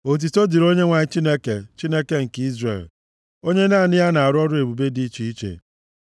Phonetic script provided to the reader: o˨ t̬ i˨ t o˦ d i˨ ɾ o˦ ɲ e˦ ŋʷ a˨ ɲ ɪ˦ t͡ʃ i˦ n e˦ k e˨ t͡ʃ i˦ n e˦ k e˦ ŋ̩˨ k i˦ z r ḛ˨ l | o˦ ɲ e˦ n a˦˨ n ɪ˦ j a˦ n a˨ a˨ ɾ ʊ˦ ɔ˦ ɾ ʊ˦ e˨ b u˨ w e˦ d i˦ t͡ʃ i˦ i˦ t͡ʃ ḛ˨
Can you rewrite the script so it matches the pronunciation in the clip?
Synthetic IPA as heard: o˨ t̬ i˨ t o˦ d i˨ ɾ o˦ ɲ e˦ ŋʷ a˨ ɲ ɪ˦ t͡ʃ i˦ n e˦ k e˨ t͡ʃ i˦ n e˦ k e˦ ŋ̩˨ k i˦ z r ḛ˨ l | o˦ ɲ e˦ n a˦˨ n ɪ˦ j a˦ n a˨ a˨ ɾ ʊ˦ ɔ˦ ɾ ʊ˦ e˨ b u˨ b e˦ d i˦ t͡ʃ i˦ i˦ t͡ʃ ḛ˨